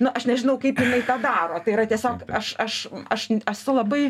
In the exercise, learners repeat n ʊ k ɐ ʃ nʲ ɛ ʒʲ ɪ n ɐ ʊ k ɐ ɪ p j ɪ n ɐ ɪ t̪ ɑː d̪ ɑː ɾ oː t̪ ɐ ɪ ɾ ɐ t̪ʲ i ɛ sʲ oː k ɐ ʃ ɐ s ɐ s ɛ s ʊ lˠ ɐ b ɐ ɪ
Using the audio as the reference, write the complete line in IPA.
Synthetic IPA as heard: n ʊ ʔ ɐ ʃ nʲ ɛ ʒʲ ɪ n ɐ ʊ k ɐ ɪ p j ɪ n ɐ ɪ t̪ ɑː d̪ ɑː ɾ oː t̪ ɐ ɪ ɾ ɐ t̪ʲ i ɛ sʲ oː k ɐ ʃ ɐ ʃ ɐ ʃ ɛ s ʊ lˠ ɐ b ɐ ɪ